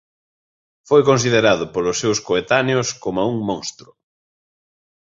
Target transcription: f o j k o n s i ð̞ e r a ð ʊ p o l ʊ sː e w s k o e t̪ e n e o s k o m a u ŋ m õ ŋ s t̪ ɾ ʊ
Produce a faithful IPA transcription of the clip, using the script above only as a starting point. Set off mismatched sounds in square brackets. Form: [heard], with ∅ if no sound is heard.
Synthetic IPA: f o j k o n s i ð̞ e [ɾ] a ð ʊ p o l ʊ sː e w s k o e t̪ [a] n e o s k o m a u ŋ m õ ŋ s t̪ ɾ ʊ